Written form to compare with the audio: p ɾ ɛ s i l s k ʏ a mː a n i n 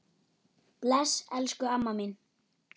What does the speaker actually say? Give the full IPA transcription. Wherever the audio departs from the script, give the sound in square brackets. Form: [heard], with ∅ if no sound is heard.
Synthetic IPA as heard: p [l] ɛ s [ɛ] l s k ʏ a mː a [m] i n